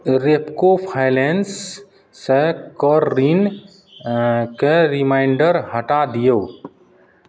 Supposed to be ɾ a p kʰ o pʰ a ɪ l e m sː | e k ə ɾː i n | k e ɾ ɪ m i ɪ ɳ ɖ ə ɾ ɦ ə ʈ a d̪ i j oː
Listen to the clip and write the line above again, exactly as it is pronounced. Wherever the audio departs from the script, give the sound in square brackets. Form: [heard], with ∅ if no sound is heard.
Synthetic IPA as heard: ɾ [e] p [k] o pʰ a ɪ l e [n] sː | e k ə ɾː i n | k e ɾ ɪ m [a] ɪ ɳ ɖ ə ɾ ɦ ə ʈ a d̪ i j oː